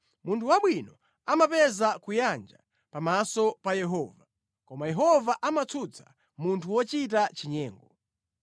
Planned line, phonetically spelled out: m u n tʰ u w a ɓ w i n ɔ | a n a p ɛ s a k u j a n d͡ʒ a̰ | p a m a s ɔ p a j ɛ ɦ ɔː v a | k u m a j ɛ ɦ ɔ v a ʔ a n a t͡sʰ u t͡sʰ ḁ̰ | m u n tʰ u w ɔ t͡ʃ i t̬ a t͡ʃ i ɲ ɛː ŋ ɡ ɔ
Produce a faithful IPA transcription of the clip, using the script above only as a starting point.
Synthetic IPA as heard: m u n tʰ u w a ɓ w i n ɔ | a m a p ɛ z a k u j a n d͡ʒ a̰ | p a m a s ɔ p a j ɛ ɦ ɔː v a | k ɔ m a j ɛ ɦ ɔ v a ʔ a m a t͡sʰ u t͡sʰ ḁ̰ | m u n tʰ u w ɔ t͡ʃ i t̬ a t͡ʃ i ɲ ɛː ŋ ɡ ɔ